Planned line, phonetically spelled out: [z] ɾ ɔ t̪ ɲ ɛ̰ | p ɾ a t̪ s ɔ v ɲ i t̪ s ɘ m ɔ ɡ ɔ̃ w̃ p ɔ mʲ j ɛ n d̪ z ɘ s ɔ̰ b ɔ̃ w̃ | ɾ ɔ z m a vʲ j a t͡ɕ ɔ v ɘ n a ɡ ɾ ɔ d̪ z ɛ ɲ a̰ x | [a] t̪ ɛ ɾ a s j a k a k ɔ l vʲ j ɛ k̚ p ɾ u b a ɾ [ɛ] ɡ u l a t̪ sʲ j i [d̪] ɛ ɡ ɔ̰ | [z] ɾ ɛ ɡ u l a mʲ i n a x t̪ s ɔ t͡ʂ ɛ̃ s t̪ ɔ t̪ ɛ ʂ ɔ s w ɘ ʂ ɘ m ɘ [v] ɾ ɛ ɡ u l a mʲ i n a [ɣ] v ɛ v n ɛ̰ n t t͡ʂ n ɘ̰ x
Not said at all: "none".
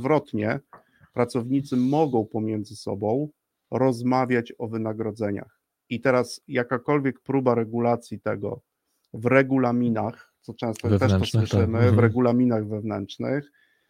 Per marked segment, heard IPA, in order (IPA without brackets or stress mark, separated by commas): v, i, ɛ, t̪, v, v, ɣ